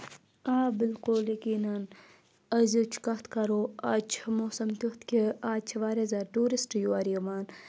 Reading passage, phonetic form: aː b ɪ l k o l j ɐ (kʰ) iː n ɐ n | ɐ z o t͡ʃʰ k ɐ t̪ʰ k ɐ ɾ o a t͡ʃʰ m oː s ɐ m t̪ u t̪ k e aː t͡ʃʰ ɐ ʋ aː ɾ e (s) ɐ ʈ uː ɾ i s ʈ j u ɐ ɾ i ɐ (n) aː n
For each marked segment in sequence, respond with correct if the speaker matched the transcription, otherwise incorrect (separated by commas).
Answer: incorrect, incorrect, incorrect